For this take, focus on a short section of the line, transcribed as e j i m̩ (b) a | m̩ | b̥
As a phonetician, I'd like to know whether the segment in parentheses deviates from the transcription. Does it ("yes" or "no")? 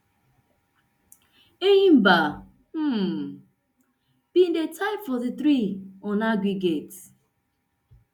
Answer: no